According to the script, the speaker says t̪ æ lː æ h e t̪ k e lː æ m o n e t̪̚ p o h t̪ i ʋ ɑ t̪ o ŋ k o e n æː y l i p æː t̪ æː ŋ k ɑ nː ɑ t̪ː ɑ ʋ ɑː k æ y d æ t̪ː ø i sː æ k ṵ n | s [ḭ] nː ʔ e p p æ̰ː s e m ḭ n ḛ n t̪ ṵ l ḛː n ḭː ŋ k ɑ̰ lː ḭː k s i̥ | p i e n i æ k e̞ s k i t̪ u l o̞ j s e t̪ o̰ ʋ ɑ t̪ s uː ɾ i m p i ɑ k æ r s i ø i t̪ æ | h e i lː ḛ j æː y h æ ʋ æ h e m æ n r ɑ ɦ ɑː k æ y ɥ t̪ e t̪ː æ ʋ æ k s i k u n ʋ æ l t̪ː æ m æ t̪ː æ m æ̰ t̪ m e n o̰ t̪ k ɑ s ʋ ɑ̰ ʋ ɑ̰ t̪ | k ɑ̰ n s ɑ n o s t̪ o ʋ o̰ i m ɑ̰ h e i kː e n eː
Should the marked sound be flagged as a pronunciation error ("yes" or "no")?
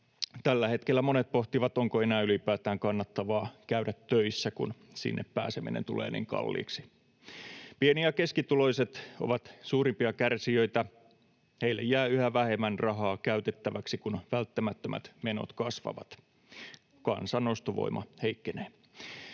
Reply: no